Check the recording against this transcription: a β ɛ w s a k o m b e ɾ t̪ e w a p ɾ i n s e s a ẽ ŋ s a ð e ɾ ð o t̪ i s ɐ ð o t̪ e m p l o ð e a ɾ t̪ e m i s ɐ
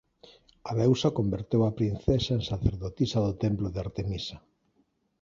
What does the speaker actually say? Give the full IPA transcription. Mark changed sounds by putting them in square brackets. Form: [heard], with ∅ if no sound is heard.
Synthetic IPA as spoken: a β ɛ w s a k o m b e ɾ t̪ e w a p ɾ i n [θ] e s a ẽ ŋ s a [θ] e ɾ ð o t̪ i s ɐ ð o t̪ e m p l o ð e a ɾ t̪ e m i s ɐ